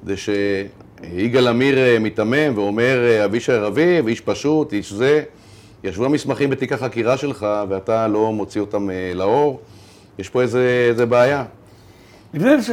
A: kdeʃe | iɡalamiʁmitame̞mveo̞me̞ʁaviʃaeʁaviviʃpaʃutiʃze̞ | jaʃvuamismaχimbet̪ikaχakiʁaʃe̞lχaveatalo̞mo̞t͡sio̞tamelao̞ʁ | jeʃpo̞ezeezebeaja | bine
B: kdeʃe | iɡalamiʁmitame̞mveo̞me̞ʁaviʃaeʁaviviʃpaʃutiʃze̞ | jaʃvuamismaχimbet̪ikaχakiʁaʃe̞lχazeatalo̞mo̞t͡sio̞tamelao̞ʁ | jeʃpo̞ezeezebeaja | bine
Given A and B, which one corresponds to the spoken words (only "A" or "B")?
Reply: A